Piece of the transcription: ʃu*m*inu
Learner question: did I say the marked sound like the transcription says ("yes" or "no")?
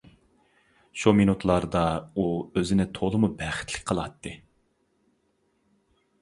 yes